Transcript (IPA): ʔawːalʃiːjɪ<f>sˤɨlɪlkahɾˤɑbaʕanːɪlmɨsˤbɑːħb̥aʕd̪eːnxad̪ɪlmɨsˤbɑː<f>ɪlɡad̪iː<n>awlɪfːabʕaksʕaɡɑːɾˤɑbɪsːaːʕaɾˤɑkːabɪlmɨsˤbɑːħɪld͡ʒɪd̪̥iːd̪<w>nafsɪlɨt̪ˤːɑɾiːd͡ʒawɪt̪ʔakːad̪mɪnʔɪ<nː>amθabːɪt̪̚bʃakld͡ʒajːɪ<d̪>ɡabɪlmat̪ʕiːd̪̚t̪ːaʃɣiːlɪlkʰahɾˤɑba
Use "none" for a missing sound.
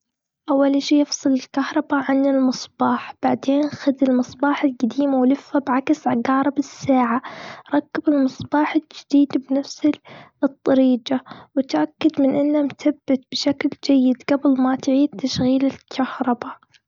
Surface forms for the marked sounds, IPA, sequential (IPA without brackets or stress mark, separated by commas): f, ħ, m, b, nː, d̪